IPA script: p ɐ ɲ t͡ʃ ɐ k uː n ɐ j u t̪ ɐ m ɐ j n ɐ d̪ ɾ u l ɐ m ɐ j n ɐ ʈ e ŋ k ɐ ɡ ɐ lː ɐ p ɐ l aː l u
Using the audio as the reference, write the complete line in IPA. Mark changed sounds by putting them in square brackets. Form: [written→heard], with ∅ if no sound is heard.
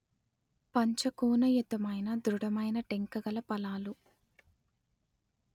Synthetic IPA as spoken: p ɐ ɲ t͡ʃ ɐ k uː n ɐ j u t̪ ɐ m ɐ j n ɐ d̪ ɾ u [l→ɽ] ɐ m ɐ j n ɐ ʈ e ŋ k ɐ ɡ ɐ [lː→l] ɐ p ɐ l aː l u